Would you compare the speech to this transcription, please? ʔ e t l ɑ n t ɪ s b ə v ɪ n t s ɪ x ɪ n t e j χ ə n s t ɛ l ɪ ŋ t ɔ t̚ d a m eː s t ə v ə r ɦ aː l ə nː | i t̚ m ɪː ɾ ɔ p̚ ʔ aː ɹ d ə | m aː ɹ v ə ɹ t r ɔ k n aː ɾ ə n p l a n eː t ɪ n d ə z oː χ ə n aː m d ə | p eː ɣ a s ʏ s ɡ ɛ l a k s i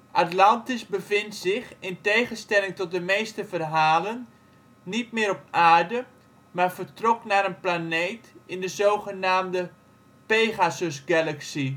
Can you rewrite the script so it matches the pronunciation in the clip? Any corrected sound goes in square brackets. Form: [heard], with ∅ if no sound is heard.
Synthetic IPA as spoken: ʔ [a] t l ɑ n t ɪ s b ə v ɪ n t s ɪ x ɪ n t e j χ ə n s t ɛ l ɪ ŋ t ɔ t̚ d [ə] m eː s t ə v ə r ɦ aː l ə nː | i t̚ m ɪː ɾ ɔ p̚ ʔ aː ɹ d ə | m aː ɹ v ə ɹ t r ɔ k n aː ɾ ə n p l a n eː t ɪ n d ə z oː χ ə n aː m d ə | p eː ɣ a s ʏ s ɡ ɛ l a k s i